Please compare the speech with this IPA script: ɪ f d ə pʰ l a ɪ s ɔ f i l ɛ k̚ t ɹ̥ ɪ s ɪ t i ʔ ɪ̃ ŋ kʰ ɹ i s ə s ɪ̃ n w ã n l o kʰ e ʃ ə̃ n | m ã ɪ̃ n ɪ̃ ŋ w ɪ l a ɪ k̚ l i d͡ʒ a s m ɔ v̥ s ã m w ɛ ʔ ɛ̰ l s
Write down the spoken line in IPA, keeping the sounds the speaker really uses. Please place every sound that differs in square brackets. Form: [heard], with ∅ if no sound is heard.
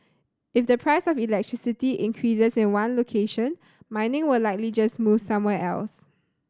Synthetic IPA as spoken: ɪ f d ə pʰ [ɹ] a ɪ s ɔ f i l ɛ k̚ t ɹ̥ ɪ s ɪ t i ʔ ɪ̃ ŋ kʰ ɹ i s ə s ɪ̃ n w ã n l o kʰ e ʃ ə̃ n | m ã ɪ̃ n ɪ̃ ŋ w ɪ l a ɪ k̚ l i d͡ʒ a s m [u] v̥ s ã m w ɛ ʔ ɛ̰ l s